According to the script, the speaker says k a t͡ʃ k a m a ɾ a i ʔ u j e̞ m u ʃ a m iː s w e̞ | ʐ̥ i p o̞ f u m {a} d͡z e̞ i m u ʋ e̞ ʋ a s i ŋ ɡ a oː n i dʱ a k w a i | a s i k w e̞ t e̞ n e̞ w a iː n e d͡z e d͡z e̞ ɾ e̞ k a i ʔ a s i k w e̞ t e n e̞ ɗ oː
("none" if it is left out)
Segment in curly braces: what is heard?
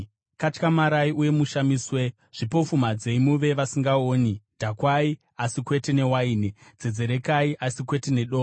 a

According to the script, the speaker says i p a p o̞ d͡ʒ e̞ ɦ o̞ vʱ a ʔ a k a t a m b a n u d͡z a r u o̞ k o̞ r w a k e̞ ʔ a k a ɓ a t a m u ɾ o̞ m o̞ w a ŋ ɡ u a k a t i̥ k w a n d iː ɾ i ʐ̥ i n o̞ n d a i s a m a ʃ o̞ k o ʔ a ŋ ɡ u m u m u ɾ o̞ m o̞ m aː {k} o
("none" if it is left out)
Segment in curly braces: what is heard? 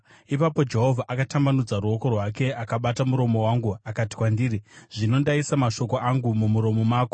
k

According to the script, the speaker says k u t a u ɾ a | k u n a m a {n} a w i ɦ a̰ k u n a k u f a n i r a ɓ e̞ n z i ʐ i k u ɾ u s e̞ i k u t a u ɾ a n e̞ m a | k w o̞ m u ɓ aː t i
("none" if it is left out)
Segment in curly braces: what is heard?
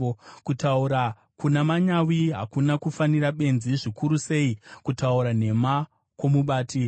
ɲ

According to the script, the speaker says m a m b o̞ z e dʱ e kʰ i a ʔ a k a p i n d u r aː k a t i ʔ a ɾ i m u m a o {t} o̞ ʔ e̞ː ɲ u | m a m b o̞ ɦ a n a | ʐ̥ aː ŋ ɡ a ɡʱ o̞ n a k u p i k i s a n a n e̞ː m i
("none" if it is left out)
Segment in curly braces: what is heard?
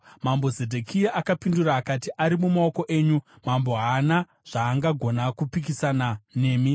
k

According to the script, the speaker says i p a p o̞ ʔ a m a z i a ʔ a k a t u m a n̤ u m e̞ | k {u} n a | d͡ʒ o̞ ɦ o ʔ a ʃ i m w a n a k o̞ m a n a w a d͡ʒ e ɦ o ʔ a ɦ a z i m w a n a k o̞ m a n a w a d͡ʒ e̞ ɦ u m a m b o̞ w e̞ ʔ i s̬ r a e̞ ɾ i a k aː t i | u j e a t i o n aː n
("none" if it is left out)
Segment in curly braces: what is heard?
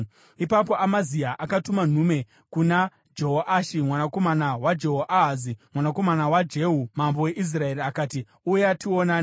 u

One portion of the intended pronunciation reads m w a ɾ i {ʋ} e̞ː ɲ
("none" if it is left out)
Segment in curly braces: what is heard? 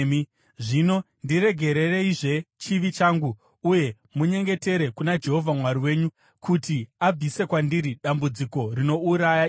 w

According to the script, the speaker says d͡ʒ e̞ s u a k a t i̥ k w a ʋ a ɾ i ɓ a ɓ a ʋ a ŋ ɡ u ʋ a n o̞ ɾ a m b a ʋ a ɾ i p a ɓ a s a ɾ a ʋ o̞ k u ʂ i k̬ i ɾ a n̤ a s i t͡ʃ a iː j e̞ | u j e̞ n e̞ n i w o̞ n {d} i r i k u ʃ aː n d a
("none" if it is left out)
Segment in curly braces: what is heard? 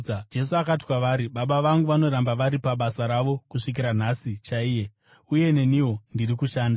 d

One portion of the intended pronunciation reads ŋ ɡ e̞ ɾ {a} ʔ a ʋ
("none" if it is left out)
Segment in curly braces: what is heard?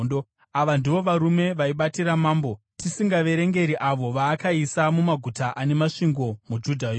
i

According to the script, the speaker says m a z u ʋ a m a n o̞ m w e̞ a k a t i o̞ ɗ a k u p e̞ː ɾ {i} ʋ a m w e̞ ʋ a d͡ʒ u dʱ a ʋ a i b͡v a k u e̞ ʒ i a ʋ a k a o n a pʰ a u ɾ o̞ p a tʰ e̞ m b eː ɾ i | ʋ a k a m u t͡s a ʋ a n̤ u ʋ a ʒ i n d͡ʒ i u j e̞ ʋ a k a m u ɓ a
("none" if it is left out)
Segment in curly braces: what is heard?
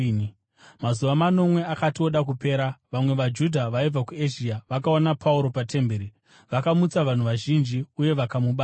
a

